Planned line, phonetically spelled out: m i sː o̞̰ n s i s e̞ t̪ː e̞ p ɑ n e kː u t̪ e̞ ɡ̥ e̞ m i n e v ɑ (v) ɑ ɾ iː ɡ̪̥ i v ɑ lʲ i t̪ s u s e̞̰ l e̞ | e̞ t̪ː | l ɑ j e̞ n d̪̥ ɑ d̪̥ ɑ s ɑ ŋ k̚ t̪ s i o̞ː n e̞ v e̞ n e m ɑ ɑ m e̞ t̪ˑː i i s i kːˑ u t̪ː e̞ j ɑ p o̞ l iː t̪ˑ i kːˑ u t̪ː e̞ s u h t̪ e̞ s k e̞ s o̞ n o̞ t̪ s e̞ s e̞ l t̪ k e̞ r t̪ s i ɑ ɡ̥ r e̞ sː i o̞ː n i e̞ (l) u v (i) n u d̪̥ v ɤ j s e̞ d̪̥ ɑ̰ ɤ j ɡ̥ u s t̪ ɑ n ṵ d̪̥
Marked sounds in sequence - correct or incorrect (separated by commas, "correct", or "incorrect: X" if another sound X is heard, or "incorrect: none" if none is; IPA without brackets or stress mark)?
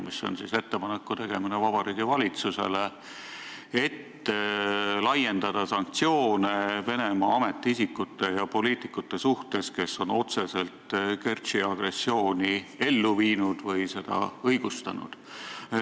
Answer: incorrect: b, incorrect: lː, incorrect: iː